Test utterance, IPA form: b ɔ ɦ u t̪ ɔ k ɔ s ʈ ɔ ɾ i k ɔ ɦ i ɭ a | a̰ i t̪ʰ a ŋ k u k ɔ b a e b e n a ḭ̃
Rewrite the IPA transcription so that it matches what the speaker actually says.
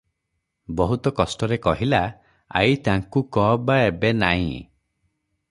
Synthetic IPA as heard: b ɔ ɦ u t̪ ɔ k ɔ s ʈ ɔ ɾ e k ɔ ɦ i l a | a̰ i t̪ a ŋ k u k ɔ b a e b e n a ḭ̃